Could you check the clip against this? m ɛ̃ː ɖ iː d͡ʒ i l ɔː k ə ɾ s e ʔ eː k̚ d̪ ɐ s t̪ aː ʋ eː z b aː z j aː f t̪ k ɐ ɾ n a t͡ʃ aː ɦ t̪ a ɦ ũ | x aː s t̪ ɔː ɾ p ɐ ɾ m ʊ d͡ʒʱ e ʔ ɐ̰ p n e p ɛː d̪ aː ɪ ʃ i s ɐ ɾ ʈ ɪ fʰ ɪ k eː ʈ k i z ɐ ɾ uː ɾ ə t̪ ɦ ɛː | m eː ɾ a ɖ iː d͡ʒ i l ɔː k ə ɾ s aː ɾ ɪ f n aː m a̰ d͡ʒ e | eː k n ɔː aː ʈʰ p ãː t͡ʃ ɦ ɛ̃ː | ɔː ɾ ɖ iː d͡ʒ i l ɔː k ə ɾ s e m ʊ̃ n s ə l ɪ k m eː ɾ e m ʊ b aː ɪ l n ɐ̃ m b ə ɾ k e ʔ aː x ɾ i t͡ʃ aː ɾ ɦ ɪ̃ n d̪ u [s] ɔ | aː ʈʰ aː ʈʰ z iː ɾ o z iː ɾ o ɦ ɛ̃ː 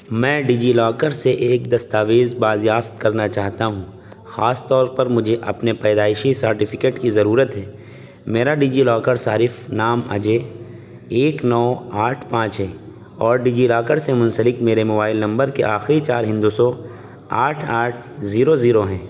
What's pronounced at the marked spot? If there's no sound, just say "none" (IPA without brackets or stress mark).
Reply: s